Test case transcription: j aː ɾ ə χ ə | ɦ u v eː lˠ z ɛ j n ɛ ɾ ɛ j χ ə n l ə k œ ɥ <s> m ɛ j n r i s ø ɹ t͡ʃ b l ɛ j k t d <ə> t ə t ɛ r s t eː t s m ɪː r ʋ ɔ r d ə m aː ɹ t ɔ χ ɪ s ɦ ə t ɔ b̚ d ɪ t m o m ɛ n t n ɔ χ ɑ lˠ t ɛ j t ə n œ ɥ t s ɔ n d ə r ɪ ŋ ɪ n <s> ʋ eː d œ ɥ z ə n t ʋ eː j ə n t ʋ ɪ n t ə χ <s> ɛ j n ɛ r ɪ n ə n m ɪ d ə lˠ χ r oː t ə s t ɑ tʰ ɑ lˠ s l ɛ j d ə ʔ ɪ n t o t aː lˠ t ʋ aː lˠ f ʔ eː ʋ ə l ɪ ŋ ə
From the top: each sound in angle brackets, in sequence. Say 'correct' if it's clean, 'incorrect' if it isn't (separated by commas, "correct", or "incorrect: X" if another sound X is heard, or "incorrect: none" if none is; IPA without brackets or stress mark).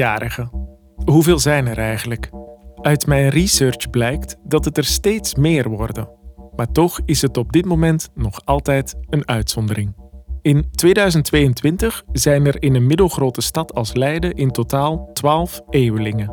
incorrect: t, incorrect: ɑ, incorrect: t, incorrect: z